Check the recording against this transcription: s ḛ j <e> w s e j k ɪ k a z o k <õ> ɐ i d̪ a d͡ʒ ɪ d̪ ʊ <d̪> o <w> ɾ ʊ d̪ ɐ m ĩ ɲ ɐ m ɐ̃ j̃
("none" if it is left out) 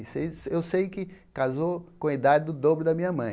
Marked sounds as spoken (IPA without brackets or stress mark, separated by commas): e, õ, d̪, b